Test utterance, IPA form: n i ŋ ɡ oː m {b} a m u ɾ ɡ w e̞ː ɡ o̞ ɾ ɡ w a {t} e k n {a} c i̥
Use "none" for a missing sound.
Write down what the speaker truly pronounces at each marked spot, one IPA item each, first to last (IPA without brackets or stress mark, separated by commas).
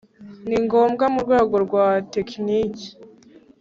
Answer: ɡ, t, i